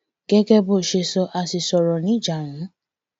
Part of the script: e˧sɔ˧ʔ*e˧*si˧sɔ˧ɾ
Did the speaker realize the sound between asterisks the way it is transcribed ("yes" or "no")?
no